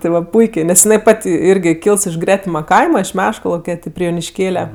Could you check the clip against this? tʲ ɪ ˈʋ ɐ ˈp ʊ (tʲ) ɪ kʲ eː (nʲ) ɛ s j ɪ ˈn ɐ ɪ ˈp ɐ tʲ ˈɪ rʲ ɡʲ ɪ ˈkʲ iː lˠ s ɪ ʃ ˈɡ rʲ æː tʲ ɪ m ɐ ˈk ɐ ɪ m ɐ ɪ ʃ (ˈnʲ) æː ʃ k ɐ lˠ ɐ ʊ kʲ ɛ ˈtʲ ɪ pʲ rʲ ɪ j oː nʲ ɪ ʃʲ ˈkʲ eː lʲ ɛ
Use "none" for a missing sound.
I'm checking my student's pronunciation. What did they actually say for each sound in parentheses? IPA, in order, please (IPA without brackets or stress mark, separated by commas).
none, nʲ, mʲ